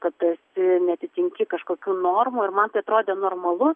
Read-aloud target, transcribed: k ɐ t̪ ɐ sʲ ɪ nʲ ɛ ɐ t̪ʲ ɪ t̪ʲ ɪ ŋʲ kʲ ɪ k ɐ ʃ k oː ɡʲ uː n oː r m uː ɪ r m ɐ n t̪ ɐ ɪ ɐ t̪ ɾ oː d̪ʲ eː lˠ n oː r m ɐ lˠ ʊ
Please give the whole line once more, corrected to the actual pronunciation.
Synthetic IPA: k ɐ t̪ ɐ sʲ ɪ nʲ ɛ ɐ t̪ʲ ɪ t̪ʲ ɪ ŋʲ kʲ ɪ k ɐ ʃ k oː kʲ uː n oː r m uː ɪ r m ɐ n t̪ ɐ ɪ ɐ t̪ ɾ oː d̪ʲ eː n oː r m ɐ lˠ ʊ